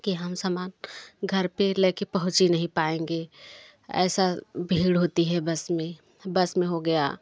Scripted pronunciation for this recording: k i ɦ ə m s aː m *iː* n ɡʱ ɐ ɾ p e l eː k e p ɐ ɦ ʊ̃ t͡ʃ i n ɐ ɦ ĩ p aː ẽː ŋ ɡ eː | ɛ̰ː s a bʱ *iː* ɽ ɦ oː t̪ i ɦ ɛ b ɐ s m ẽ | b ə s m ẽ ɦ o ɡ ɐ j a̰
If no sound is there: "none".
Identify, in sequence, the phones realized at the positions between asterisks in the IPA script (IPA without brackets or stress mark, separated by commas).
aː, iː